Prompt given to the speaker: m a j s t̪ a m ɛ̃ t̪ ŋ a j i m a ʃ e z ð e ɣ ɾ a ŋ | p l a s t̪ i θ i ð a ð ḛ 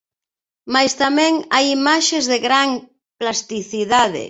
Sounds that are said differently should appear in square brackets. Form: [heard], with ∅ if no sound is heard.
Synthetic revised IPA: m a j s t̪ a m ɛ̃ [∅] ŋ a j i m a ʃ e z ð e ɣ ɾ a ŋ | p l a s t̪ i θ i ð a ð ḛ